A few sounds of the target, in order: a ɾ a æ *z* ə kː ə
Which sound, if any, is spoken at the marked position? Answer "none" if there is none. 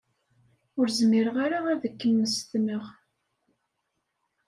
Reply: ð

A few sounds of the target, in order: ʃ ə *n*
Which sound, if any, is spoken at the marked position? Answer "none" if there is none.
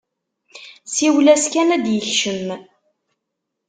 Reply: m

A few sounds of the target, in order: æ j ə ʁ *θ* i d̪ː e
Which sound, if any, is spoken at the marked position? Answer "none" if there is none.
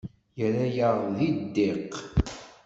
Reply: ð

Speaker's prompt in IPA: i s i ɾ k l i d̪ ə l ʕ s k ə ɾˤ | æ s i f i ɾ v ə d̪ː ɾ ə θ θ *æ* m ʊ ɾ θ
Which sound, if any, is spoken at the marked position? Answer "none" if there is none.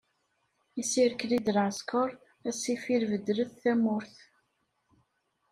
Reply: æ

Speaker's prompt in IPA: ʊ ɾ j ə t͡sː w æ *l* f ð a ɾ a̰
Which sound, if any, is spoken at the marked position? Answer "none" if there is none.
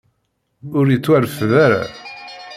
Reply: ɾ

